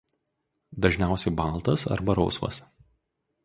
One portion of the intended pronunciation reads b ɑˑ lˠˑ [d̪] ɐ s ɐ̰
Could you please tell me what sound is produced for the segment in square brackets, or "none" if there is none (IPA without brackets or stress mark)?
t̪